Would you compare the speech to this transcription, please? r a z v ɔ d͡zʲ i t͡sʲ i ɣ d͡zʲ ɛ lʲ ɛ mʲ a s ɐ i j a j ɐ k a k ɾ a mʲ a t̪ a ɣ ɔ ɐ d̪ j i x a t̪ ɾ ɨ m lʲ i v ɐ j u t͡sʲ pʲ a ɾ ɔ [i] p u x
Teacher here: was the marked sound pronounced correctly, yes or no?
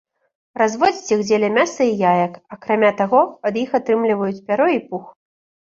yes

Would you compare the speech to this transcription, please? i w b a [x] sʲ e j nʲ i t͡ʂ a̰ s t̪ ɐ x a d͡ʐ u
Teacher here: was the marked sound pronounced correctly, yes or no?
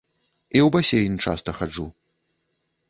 no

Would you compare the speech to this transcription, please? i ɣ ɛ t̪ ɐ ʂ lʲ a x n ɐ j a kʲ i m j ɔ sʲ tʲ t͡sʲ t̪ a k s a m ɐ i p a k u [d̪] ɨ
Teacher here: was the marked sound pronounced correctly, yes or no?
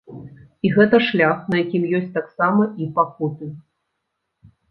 no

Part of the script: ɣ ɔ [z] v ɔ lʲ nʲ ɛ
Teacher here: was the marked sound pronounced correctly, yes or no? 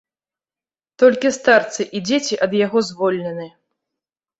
yes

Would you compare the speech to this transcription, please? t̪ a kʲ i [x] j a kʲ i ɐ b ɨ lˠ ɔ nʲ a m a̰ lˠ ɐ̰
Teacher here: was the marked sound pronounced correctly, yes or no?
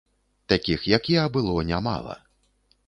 yes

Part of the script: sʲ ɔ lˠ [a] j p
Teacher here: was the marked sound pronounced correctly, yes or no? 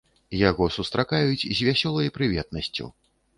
no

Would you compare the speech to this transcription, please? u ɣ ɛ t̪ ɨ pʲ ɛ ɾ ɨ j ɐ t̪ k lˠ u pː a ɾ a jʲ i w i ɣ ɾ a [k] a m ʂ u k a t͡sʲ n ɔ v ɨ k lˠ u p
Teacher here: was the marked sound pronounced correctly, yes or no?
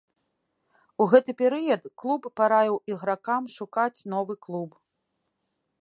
yes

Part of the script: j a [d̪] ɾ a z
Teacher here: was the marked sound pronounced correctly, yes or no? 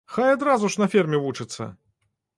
yes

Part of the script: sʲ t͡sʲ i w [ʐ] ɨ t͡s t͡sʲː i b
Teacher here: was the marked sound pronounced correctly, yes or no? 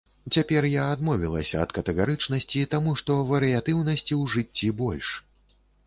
yes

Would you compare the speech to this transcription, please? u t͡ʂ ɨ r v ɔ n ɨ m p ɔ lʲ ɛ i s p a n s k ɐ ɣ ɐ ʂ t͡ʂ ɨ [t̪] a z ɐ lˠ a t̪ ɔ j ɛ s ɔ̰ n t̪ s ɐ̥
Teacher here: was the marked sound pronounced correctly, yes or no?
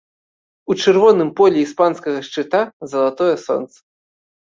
yes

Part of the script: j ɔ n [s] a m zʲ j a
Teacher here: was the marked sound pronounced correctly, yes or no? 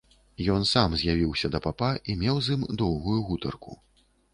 yes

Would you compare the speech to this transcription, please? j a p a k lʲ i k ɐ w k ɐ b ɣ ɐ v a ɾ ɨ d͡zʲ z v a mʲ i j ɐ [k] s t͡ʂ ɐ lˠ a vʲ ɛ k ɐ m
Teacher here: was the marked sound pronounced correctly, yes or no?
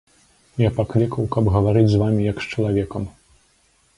yes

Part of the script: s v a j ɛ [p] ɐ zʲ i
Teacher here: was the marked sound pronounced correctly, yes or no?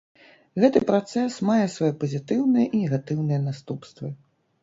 yes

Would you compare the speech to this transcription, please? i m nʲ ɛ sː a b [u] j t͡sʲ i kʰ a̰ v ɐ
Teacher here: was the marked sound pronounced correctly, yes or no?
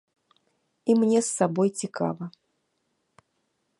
no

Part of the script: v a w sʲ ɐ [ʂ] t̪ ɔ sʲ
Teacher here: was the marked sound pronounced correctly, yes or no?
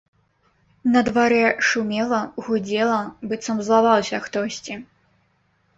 no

